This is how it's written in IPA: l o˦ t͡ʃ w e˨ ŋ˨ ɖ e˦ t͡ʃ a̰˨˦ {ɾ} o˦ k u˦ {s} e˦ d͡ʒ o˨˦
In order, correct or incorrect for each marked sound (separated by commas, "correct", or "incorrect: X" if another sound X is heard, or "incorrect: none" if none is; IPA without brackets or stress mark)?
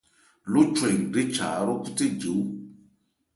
correct, incorrect: t